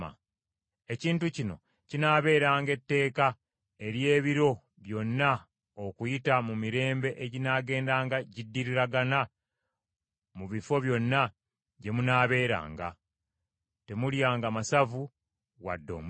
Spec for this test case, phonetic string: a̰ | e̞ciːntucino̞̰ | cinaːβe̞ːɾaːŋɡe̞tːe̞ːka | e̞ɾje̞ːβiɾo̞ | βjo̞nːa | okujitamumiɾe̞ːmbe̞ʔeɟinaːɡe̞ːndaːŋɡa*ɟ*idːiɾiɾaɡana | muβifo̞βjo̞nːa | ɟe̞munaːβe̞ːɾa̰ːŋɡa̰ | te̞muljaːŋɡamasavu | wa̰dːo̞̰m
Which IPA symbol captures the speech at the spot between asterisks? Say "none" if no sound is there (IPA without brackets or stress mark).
ɟ